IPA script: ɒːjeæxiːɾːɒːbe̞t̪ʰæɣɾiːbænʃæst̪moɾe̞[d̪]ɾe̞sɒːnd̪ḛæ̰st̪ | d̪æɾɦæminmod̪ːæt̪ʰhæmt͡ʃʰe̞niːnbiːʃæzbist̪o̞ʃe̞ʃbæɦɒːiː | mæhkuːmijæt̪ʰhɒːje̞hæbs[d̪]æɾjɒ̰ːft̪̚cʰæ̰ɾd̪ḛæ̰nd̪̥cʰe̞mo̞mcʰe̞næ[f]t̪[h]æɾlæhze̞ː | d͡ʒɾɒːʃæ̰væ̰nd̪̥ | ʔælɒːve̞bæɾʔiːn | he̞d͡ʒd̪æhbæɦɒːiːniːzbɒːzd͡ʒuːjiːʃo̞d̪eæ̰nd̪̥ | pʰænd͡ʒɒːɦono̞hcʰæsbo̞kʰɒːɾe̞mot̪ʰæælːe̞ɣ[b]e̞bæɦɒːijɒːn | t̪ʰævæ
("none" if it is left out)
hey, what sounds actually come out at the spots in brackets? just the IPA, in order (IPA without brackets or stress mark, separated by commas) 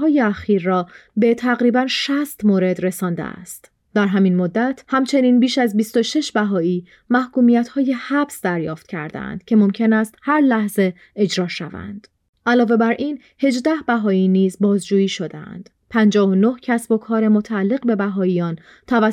d̪, d̪, s, h, b